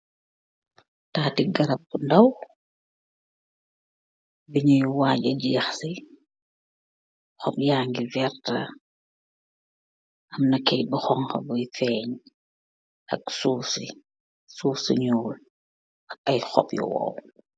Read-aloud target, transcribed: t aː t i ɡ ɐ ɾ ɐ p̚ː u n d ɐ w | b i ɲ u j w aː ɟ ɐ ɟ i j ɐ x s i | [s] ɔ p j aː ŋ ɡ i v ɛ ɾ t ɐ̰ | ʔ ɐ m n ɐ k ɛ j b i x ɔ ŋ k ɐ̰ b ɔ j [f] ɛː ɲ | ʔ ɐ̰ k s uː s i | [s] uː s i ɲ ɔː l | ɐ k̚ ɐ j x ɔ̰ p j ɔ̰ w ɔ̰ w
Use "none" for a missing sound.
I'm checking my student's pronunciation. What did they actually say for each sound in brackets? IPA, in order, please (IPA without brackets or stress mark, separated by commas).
x, f, s